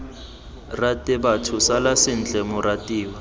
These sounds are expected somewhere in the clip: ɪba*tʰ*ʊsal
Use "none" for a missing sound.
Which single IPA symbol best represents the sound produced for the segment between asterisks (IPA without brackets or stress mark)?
tʰ